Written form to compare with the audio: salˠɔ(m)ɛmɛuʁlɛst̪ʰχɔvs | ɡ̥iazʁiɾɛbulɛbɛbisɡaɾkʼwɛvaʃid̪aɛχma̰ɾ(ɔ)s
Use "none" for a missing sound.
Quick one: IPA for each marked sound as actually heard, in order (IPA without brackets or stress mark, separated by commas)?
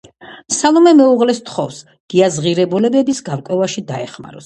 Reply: m, ɔ